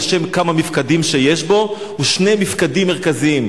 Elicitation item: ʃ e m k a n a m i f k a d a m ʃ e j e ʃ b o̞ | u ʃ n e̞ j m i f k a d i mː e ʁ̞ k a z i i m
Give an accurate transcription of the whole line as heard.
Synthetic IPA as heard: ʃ e m k a m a m i f k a d i m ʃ e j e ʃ b o̞ | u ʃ n e̞ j m i f k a d i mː e ʁ̞ k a z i i m